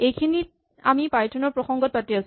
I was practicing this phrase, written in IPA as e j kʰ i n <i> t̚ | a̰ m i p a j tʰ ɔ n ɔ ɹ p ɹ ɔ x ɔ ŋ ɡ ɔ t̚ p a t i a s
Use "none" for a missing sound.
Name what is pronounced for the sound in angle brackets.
i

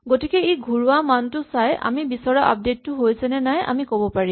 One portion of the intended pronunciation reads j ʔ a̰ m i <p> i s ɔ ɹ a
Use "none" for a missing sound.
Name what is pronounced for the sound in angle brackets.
b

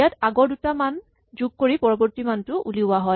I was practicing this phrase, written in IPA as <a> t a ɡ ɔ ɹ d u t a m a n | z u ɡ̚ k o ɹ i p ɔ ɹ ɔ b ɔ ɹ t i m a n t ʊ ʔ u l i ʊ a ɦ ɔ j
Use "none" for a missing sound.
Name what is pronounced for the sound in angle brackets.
a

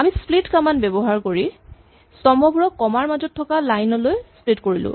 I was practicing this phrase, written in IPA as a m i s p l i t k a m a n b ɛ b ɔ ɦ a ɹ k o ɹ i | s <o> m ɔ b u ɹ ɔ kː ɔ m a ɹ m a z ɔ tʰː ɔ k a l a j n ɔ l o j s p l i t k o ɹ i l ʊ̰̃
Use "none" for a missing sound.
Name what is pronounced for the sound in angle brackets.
ɔ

